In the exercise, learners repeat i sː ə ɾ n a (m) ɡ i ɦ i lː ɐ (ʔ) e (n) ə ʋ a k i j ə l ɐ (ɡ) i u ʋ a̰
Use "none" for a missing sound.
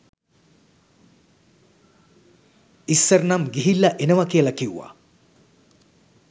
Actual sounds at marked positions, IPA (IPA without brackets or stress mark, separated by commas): m, ʔ, n, k